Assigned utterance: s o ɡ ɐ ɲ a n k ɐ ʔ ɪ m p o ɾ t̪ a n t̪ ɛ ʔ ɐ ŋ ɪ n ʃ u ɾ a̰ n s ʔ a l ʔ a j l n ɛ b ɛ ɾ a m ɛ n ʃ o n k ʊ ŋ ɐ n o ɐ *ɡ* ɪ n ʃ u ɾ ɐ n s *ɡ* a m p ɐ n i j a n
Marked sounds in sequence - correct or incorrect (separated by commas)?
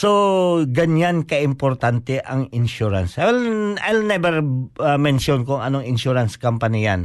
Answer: incorrect, incorrect